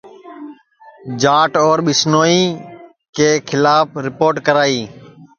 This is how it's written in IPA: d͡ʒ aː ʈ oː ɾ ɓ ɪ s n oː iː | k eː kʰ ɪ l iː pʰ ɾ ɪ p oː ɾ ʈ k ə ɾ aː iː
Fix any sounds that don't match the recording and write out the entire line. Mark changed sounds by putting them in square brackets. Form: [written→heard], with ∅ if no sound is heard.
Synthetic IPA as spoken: d͡ʒ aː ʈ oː ɾ ɓ ɪ s n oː iː | k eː kʰ ɪ l [iː→aː] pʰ ɾ ɪ p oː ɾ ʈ k ə ɾ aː iː